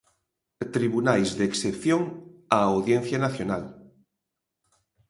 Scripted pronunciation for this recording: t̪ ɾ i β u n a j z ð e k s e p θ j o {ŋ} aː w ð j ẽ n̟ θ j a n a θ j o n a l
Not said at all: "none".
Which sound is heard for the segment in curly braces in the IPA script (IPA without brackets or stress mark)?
ŋ